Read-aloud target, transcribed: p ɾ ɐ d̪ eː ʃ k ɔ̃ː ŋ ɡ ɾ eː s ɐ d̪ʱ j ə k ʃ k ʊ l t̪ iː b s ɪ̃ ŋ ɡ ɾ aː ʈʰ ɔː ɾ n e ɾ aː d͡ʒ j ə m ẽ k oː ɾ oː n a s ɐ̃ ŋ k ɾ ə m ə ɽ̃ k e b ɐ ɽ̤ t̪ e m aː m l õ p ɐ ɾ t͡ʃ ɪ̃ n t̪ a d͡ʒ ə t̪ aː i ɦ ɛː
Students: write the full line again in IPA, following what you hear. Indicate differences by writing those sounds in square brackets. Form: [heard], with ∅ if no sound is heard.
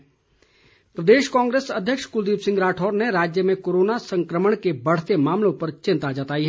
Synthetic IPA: p ɾ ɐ d̪ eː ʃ k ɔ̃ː ŋ ɡ ɾ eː s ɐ d̪ʱ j ə k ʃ k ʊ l [d̪] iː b s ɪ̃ ŋ ɡ ɾ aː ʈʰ ɔː ɾ n e ɾ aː d͡ʒ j ə m ẽ k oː ɾ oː n a s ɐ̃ ŋ k ɾ ə m ə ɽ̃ k e b ɐ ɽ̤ t̪ e m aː m l õ p ɐ ɾ t͡ʃ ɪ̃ n t̪ a d͡ʒ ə t̪ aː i ɦ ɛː